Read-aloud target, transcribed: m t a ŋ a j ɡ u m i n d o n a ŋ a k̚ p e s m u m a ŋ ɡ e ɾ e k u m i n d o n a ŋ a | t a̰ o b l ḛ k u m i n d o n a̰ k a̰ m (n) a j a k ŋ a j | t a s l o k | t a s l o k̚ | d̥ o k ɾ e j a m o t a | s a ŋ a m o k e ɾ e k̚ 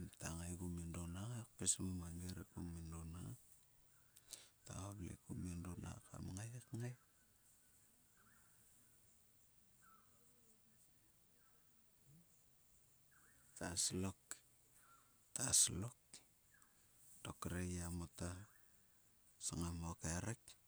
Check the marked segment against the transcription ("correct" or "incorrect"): incorrect